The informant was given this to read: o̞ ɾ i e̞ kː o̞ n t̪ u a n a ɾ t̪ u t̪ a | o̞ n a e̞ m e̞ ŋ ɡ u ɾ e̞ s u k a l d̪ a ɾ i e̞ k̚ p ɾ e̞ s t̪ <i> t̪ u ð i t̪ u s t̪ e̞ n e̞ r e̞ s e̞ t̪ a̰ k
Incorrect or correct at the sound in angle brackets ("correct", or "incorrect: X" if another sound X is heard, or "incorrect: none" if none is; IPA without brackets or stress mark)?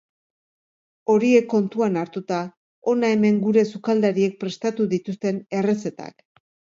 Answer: incorrect: a